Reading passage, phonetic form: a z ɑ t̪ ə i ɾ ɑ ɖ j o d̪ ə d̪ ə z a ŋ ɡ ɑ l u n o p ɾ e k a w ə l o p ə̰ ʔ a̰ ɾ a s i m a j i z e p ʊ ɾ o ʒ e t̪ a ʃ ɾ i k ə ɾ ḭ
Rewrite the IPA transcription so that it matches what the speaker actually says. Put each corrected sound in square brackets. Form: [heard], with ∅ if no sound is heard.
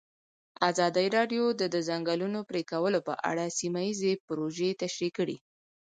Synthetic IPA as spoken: a z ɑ [d̪] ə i ɾ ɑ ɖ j o d̪ ə d̪ ə z a ŋ ɡ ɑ l u n o p ɾ e k a w ə l o p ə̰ ʔ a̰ [ɽ] a s i m a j i z e p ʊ ɾ o ʒ e t̪ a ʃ ɾ i k ə [ɽ] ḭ